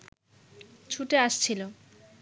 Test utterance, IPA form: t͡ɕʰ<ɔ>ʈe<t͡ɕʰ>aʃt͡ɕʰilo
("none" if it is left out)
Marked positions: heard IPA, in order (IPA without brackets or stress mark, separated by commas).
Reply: u, none